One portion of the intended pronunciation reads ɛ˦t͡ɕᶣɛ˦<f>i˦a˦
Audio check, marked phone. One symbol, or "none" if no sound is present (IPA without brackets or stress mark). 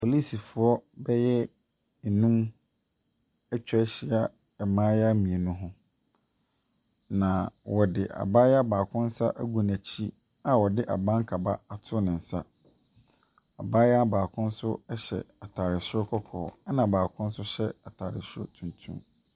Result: ɕ